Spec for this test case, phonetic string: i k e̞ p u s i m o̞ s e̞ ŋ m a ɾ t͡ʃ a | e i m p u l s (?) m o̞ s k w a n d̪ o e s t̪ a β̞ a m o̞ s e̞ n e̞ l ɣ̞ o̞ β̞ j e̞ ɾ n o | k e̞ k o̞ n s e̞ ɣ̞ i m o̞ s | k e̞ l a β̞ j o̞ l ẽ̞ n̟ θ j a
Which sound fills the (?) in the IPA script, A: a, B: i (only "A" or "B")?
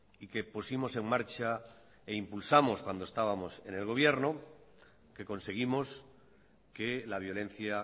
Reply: A